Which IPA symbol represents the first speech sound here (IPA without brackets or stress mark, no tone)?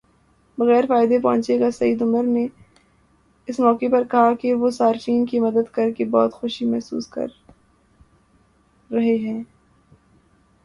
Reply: b